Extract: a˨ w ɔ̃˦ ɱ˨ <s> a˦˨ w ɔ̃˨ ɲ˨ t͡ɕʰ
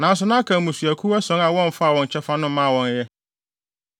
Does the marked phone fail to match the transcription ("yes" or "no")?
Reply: yes